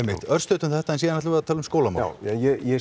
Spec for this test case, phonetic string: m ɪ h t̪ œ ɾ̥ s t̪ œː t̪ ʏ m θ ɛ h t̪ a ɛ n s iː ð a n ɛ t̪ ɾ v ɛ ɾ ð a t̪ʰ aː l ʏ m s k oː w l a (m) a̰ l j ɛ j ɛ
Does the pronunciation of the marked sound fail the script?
no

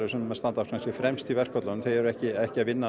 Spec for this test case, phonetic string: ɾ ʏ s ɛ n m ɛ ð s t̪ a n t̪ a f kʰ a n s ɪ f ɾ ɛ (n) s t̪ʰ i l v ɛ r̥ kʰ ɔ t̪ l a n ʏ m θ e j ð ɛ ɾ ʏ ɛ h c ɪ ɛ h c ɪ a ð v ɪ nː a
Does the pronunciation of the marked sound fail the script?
yes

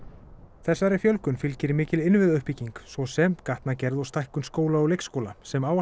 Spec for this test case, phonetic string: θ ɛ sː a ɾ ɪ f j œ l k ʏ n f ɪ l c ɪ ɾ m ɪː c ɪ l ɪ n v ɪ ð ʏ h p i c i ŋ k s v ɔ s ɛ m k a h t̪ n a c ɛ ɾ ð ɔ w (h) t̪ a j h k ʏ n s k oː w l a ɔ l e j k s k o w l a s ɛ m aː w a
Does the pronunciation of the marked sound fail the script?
yes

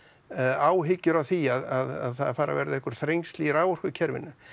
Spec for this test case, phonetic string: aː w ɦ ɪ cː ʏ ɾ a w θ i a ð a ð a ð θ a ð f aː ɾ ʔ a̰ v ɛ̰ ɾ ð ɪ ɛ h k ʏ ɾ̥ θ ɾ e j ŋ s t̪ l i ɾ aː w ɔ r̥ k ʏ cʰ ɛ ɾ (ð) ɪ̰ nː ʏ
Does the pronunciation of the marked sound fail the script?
yes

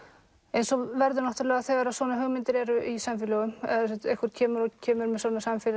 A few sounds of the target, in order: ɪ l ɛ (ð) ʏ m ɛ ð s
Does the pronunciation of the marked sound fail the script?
yes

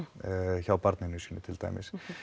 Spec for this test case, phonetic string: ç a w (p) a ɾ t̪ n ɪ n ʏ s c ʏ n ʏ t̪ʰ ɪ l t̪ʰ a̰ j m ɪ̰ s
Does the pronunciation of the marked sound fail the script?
no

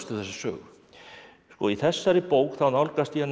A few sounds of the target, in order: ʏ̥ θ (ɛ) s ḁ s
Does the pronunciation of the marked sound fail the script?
no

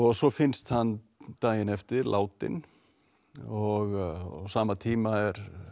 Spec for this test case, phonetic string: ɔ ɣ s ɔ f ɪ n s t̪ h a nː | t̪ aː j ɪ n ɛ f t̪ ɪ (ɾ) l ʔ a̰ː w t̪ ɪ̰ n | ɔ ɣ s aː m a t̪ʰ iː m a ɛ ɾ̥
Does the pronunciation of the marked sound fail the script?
no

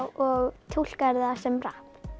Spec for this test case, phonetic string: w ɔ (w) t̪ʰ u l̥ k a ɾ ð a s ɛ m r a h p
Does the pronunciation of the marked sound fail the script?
yes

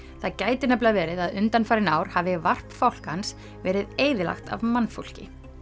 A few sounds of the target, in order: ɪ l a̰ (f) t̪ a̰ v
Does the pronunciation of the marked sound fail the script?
yes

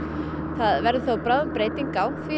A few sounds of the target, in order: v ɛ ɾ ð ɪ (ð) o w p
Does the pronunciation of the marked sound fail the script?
yes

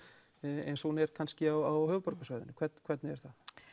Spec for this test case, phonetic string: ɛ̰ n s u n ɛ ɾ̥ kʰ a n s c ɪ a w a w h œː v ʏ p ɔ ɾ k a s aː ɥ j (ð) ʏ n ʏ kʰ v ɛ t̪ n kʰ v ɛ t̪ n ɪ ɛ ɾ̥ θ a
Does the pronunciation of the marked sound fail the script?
no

